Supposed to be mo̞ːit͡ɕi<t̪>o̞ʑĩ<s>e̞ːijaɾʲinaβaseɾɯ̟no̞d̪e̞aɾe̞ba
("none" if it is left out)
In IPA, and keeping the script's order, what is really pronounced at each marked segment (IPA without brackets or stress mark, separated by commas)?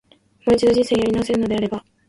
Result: d̪, s